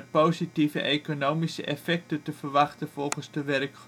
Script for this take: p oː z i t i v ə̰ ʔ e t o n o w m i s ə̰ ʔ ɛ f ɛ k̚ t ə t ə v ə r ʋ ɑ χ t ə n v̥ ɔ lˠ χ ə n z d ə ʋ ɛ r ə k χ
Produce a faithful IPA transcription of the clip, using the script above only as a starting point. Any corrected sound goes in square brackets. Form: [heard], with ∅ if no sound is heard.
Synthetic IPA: p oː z i t i v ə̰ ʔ e [k] o n o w m i s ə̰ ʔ ɛ f ɛ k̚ t ə t ə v ə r ʋ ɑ χ t ə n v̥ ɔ lˠ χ ə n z d ə ʋ ɛ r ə k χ